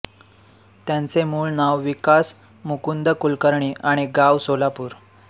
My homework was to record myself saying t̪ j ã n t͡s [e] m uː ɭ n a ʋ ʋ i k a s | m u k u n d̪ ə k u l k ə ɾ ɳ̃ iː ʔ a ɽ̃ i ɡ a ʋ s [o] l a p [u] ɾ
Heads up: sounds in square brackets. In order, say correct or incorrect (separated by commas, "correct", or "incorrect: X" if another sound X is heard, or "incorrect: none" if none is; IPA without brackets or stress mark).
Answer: correct, correct, incorrect: uː